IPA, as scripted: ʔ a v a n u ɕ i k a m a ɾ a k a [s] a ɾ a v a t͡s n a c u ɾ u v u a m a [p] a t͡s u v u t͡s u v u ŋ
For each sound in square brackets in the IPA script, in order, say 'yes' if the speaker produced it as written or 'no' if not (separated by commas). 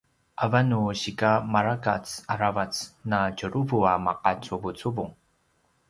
no, no